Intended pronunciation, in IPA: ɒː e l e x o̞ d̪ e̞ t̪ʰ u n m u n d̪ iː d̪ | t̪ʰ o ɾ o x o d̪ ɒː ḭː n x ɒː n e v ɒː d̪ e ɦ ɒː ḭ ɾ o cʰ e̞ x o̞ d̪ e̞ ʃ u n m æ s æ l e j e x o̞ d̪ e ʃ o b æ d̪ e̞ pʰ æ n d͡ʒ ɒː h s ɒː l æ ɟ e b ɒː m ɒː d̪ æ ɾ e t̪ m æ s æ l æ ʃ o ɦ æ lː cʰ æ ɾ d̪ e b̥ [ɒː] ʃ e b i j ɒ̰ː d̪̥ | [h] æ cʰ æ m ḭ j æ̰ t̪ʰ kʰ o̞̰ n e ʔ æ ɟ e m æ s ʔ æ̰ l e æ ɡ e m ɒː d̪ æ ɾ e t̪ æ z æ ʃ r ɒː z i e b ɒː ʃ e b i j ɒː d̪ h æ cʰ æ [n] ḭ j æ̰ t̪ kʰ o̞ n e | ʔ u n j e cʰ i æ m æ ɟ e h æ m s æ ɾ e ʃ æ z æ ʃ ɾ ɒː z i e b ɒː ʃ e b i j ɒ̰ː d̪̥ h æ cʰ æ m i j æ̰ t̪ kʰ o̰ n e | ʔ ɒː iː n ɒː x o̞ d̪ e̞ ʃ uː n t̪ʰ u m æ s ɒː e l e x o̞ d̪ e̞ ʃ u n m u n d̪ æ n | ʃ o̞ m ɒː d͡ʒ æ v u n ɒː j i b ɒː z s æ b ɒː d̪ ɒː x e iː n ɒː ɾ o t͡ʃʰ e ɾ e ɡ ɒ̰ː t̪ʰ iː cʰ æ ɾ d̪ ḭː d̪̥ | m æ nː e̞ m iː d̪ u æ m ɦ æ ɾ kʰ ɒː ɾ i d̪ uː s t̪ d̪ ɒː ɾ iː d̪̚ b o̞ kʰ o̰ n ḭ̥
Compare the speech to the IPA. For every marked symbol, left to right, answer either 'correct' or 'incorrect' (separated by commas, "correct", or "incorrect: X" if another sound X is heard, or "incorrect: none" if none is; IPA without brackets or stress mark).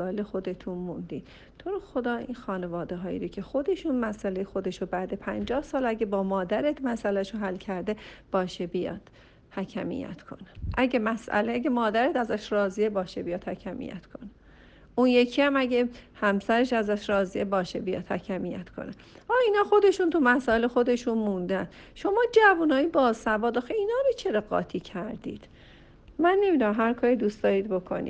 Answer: correct, correct, incorrect: m